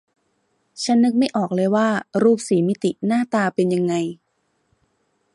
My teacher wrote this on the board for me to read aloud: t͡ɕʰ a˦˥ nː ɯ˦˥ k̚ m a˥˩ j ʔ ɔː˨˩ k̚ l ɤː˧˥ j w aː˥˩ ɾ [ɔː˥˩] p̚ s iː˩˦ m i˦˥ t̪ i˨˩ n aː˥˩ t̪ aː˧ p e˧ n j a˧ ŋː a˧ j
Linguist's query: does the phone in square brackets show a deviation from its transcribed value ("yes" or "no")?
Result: yes